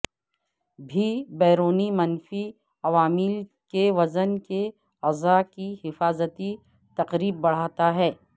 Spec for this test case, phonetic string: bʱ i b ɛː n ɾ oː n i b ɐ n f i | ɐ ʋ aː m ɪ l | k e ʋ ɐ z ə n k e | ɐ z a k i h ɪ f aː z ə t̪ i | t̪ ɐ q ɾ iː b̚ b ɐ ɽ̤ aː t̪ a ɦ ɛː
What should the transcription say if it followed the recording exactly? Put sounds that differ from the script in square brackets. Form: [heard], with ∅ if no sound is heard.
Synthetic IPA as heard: bʱ i b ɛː [∅] ɾ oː n i [m] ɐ n f i | ɐ ʋ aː m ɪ l | k e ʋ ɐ z ə n k e | ɐ z a k i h ɪ f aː z ə t̪ i | t̪ ɐ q ɾ iː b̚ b ɐ ɽ̤ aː t̪ a ɦ ɛː